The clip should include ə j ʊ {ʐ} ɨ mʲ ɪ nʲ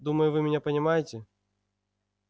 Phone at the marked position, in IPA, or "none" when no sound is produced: v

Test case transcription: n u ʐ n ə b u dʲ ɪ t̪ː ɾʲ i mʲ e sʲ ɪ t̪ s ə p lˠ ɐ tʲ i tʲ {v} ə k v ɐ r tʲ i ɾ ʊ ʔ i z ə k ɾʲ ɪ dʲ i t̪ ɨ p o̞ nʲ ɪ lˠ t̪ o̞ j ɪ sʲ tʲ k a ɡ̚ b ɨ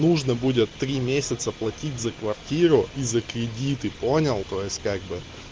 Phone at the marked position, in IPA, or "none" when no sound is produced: z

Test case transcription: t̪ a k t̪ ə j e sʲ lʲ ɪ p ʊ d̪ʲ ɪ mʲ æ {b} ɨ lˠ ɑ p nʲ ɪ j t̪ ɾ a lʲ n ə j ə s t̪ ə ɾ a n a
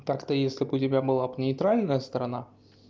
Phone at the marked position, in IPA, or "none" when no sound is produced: b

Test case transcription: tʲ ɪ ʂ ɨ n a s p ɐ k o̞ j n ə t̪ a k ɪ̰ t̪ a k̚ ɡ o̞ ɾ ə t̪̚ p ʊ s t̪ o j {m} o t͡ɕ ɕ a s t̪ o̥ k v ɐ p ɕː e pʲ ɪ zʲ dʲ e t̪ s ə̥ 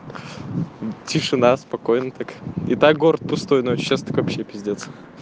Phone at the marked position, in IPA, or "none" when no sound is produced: n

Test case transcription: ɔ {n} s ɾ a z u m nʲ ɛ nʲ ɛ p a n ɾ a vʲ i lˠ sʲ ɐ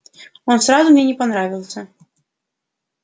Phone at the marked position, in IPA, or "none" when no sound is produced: n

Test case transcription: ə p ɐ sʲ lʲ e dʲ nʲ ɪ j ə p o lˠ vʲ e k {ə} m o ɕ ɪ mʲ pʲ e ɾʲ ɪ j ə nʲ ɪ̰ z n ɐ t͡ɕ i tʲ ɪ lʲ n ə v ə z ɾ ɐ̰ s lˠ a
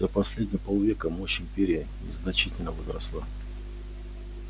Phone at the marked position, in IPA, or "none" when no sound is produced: ə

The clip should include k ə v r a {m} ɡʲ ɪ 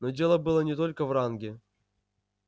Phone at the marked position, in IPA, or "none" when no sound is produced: n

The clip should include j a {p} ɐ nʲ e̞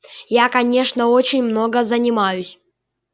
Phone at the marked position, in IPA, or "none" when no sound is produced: k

